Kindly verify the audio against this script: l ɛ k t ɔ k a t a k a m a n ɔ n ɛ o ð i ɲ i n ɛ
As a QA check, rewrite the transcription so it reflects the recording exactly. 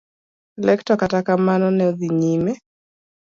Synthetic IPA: l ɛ k t ɔ k a t a k a m a n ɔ n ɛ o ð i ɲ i m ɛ